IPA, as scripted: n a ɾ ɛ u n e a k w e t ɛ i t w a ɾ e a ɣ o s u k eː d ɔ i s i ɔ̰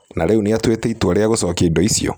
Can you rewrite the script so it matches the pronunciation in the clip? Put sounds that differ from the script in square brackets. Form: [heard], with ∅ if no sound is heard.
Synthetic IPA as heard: n a ɾ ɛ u n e a [t] w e t ɛ i t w a ɾ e a ɣ o s [ɔ] k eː d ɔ i s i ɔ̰